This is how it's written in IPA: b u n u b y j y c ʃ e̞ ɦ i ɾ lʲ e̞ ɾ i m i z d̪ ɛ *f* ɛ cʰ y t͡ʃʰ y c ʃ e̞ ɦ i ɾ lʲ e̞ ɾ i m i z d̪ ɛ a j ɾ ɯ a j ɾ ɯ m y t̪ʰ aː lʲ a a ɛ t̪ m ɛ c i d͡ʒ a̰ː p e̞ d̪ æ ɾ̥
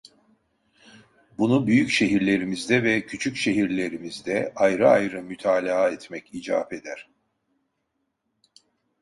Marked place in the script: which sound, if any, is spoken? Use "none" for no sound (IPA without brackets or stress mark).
v